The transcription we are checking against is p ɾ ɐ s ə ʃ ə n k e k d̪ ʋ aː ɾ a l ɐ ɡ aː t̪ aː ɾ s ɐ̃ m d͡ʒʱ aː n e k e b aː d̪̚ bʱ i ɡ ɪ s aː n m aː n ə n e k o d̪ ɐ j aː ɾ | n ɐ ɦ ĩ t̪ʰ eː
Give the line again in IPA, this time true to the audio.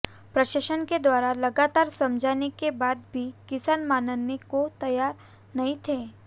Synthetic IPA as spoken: p ɾ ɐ ʃ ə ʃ ə n k e d̪ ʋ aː ɾ a l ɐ ɡ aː t̪ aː ɾ s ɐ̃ m d͡ʒʱ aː n e k e b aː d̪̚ bʱ i k ɪ s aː n m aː n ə n e k o t̪ ɐ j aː ɾ | n ɐ ɦ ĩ t̪ʰ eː

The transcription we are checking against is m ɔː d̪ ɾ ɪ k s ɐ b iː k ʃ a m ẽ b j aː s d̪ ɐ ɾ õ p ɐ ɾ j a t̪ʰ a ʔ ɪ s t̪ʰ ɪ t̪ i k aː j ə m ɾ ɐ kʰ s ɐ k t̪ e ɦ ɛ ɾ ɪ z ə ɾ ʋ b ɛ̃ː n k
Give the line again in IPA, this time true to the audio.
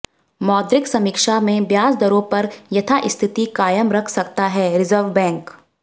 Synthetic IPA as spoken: m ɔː d̪ ɾ ɪ k s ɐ m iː k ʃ a m ẽ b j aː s d̪ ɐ ɾ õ p ɐ ɾ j ɐ t̪ʰ a ʔ ɪ s t̪ʰ ɪ t̪ i k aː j ə m ɾ ɐ kʰ s ɐ k t̪ a ɦ ɛ ɾ ɪ z ə ɾ ʋ b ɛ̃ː ŋ k

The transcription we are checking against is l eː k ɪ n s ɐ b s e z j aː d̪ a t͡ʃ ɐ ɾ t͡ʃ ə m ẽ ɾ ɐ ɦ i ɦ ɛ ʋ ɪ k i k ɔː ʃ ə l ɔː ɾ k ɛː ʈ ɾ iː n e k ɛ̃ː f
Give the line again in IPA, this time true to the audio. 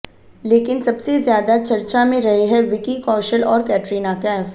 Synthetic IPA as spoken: l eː k ɪ n s ɐ b s e z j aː d̪ a t͡ʃ ɐ ɾ t͡ʃ a m ẽ ɾ ɐ ɦ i ɦ ɛ ʋ ɪ k i k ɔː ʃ ə l ɔː ɾ k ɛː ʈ ɾ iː n a k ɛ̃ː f

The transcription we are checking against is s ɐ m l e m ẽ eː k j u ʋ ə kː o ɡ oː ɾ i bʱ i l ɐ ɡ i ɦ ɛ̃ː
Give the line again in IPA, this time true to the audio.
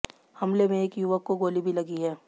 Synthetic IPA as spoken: h ɐ m l e m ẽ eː k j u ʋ ə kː o ɡ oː l i bʱ i l ɐ ɡ i ɦ ɛː

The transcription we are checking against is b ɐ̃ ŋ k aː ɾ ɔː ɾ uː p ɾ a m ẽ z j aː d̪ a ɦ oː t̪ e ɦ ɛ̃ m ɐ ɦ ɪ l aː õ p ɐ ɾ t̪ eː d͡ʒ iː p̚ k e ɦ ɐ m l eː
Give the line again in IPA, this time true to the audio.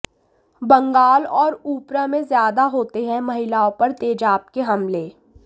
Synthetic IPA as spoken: b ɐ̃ ŋ ɡ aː l ɔː ɾ uː p ɾ a m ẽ z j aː d̪ a ɦ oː t̪ e ɦ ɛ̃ m ɐ ɦ ɪ l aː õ p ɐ ɾ t̪ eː d͡ʒ aː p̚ k e ɦ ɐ m l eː

